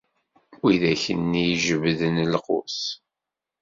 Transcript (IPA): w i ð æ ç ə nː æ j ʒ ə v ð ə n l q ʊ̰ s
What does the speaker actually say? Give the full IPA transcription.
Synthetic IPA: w i ð æ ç ə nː i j ʒ ə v ð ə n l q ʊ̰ s